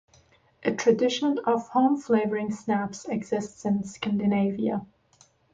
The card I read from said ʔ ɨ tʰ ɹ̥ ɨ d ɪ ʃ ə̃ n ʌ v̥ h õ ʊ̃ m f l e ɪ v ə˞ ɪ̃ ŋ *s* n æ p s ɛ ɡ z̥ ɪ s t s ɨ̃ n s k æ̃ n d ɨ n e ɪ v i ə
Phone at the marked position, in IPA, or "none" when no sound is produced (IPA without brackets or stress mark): s